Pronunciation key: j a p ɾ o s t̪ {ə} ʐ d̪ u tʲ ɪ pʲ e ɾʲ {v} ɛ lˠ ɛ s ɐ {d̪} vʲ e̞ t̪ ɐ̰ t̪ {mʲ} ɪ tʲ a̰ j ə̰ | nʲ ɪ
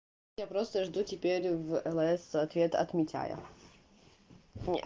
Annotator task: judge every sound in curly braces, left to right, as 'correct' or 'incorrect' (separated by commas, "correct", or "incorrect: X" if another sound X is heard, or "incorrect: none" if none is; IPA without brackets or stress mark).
correct, correct, incorrect: t̪, correct